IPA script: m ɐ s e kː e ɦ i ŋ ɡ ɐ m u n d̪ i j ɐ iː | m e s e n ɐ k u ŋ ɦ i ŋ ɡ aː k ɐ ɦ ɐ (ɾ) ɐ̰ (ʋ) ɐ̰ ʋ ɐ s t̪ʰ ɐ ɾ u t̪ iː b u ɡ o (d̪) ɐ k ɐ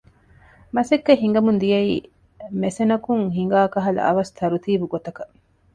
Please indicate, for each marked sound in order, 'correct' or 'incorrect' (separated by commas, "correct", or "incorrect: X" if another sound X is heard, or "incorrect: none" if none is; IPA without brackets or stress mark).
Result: incorrect: l, incorrect: none, incorrect: t̪